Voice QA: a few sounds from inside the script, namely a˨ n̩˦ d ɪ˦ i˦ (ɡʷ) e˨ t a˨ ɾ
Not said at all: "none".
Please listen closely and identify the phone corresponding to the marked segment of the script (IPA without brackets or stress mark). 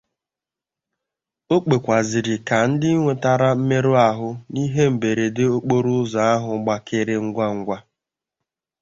ŋʷ